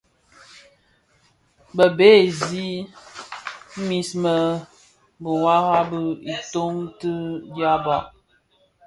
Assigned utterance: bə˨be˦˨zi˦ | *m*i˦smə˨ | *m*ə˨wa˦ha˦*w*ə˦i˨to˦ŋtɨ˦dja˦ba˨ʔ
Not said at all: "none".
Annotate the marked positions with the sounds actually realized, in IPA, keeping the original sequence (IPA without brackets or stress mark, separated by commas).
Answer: m, b, b